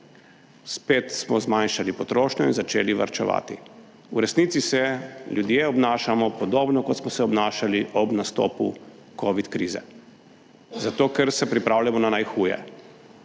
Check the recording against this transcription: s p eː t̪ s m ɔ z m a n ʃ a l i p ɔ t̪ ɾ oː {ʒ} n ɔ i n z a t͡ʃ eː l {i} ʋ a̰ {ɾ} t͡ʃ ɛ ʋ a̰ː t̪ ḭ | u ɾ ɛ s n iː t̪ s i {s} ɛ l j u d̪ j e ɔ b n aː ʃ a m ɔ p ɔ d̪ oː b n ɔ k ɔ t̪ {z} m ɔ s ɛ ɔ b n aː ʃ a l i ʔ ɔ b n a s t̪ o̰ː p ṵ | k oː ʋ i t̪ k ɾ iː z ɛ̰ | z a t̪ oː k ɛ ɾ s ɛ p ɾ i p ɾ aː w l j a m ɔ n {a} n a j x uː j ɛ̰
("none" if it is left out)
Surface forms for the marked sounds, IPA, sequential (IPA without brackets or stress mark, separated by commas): ʃ, i, ɾ, s, s, a